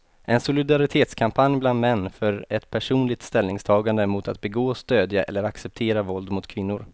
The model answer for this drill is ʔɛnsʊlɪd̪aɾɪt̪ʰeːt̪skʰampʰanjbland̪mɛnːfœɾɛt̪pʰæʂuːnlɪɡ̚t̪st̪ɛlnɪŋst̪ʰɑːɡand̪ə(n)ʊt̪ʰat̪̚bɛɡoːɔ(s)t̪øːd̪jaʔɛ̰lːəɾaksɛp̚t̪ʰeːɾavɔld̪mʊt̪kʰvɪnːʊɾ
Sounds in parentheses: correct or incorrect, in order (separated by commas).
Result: incorrect, correct